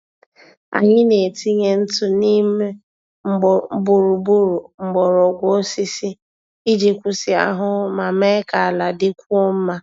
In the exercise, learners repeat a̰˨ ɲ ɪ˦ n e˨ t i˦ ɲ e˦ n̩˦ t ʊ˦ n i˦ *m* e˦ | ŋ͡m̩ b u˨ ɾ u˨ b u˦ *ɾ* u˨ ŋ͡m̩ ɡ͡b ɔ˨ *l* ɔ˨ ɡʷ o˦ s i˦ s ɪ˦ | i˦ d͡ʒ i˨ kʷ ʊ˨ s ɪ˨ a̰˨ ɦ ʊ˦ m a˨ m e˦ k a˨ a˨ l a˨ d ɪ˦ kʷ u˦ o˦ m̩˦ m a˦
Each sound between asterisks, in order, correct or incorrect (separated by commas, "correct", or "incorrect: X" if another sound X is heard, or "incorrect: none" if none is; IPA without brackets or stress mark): correct, correct, incorrect: ɾ